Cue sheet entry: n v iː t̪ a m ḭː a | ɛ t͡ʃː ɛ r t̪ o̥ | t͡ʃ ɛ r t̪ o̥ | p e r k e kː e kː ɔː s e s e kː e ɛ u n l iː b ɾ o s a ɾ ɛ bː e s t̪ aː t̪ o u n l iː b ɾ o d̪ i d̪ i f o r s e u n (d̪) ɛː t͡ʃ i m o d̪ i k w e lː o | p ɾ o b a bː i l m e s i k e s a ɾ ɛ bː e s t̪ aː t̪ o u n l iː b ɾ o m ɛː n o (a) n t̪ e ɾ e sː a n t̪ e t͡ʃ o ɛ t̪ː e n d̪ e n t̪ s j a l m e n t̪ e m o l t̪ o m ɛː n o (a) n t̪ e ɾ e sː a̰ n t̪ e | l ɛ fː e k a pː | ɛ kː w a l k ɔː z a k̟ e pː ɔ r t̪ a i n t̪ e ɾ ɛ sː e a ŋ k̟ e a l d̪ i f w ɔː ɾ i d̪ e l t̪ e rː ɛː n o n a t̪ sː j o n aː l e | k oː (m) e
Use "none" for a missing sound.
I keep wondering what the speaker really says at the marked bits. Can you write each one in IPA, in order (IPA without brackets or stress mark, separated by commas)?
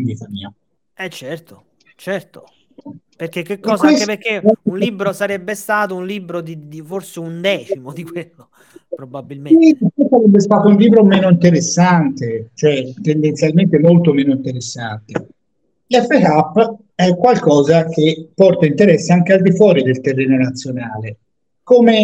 d̪, i, i, m